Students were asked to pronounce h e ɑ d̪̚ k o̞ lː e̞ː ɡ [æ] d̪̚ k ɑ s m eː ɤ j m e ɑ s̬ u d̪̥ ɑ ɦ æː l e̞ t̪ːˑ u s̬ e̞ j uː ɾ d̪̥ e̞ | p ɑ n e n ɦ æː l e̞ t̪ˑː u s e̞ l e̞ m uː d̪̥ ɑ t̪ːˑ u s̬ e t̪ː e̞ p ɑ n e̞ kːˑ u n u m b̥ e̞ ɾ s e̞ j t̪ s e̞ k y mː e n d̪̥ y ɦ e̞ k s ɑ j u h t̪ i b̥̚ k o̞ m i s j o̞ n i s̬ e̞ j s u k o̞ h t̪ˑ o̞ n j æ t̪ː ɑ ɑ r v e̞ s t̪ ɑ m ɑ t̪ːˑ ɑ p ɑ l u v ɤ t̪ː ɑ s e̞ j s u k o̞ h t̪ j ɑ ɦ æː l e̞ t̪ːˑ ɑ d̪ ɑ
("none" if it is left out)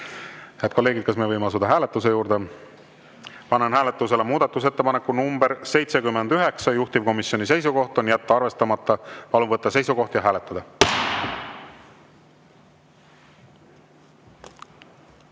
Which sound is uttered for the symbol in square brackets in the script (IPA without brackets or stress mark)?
i